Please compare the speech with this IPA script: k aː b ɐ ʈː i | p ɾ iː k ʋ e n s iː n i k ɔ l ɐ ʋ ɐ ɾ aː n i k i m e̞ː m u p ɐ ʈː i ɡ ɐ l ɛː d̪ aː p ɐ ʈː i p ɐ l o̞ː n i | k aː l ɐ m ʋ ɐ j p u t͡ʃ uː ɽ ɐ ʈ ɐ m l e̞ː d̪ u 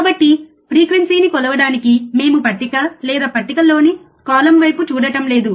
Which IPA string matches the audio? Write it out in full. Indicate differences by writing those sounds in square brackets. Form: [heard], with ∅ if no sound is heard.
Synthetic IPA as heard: k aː b ɐ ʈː i | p ɾ iː k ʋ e n s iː n i k ɔ l ɐ ʋ ɐ [ɽ] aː n i k i m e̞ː m u p ɐ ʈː i [k] ɐ l ɛː d̪ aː p ɐ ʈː i [k] ɐ l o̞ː n i | k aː l ɐ m ʋ ɐ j p u t͡ʃ uː ɽ ɐ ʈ ɐ m l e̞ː d̪ u